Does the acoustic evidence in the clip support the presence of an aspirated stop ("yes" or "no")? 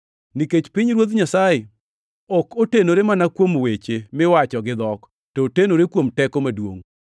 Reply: no